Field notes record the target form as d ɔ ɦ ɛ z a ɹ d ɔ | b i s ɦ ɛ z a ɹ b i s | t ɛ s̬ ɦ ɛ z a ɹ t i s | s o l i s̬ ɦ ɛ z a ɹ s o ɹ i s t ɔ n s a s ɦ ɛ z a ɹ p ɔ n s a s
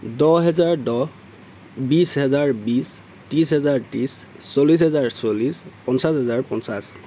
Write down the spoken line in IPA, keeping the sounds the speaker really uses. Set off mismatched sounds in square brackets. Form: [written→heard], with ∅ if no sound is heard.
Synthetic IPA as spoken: d ɔ ɦ ɛ z a ɹ d ɔ | b i s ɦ ɛ z a ɹ b i s | t [ɛ→i] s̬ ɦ ɛ z a ɹ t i s | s o l i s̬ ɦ ɛ z a ɹ s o [ɹ→l] i s [t→p] ɔ n s a s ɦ ɛ z a ɹ p ɔ n s a s